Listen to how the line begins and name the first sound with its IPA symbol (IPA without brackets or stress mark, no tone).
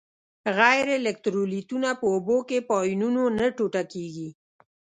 ɣ